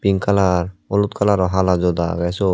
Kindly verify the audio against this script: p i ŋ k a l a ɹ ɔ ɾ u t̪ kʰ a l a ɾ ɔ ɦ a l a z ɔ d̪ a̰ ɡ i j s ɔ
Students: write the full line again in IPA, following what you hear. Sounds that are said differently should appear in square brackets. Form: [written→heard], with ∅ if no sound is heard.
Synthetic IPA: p i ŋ k a l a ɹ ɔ [ɾ→l] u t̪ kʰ a l a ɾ ɔ ɦ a l a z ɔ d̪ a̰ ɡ [i→a] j s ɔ